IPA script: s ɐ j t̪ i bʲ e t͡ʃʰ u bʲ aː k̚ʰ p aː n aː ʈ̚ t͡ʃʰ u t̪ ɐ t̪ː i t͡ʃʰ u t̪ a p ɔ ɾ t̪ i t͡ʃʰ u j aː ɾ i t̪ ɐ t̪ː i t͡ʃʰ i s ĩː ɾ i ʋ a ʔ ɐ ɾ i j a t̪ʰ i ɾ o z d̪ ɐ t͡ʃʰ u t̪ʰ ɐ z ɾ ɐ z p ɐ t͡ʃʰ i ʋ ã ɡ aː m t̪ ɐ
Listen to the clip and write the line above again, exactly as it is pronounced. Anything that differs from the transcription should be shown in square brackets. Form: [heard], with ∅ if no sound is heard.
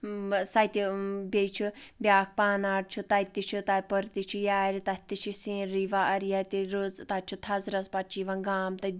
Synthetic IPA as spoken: s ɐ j t̪ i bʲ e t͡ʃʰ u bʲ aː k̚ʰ p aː n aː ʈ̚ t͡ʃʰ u t̪ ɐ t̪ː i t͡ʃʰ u t̪ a p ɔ ɾ t̪ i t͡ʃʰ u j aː ɾ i t̪ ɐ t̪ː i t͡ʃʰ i s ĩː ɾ i ʋ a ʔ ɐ ɾ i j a [t̪] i ɾ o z [t̪] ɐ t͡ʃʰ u t̪ʰ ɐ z ɾ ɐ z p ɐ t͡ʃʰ i ʋ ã ɡ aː m t̪ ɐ

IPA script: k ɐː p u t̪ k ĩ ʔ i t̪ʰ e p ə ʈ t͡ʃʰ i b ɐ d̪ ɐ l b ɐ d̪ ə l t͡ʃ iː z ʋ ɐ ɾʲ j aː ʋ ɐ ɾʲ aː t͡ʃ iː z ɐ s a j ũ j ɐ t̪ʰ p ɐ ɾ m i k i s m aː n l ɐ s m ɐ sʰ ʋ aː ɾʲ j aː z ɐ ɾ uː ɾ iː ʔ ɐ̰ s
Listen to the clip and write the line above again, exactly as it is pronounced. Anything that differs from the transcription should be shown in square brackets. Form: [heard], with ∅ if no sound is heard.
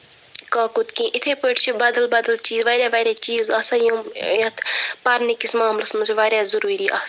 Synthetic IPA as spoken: k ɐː [k] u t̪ k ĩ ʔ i t̪ʰ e p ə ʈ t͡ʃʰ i b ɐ d̪ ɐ l b ɐ d̪ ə l t͡ʃ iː z ʋ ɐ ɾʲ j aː ʋ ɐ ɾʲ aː t͡ʃ iː z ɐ s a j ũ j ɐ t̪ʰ p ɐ ɾ [n] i k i s m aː [m] l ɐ s m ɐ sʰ ʋ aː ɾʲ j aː z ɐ ɾ uː ɾ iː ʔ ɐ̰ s

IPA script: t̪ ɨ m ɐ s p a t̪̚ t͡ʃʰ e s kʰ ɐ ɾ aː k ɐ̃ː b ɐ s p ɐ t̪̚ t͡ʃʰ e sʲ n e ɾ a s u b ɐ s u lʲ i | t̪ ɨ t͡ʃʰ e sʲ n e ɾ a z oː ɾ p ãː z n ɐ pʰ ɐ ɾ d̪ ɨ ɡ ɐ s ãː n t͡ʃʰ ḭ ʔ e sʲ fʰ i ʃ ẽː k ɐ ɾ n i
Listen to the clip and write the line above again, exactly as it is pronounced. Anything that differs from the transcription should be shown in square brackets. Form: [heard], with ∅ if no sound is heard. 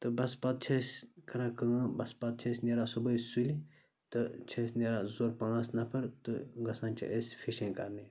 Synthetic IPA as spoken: t̪ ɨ [b] ɐ s p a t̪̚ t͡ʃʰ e s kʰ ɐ ɾ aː k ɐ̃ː b ɐ s p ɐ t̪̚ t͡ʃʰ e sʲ n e ɾ a s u b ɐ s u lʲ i | t̪ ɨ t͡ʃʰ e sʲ n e ɾ a z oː ɾ p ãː [s] n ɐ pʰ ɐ ɾ [t̪] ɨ ɡ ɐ s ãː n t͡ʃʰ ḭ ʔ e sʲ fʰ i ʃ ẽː k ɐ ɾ n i

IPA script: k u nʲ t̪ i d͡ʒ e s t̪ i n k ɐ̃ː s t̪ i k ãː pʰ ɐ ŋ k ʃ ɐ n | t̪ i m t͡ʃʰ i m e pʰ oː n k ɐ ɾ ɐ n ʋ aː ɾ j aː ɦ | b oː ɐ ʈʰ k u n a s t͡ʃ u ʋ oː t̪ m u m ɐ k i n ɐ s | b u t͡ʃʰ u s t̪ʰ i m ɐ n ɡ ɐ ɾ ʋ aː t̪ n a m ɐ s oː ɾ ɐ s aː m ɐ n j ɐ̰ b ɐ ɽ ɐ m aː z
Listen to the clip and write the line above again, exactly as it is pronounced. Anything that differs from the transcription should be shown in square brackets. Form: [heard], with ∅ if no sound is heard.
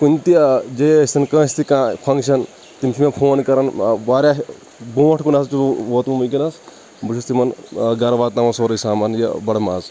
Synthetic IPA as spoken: k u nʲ t̪ i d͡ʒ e s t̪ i n k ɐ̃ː s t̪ i k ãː pʰ ɐ ŋ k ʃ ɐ n | t̪ i m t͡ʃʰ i m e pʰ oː n k ɐ ɾ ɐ n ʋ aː ɾ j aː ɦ | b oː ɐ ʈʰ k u n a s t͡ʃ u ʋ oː t̪ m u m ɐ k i n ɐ s | b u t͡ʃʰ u s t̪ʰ i m ɐ n ɡ ɐ ɾ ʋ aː t̪ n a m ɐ s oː ɾ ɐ s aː m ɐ n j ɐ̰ b ɐ ɽ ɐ m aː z

